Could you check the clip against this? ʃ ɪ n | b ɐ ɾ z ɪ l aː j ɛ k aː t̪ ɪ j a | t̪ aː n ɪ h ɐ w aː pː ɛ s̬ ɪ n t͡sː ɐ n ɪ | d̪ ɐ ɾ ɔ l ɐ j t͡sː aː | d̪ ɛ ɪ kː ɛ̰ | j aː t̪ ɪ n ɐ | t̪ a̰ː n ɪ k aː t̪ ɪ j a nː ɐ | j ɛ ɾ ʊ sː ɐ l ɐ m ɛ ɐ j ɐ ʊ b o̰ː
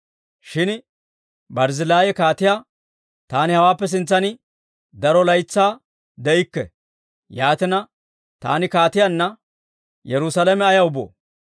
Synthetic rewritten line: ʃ ɪ n | b ɐ ɾ z ɪ l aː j ɛ k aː t̪ ɪ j a | t̪ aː n ɪ h ɐ w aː pː ɛ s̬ ɪ n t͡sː ɐ n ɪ | d̪ ɐ ɾ ɔ l ɐ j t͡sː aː | d̪ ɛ ɪ kː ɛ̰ | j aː t̪ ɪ n ɐ | t̪ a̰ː n ɪ k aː t̪ ɪ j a nː ɐ | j ɛ ɾ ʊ s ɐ l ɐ m ɛ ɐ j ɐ ʊ b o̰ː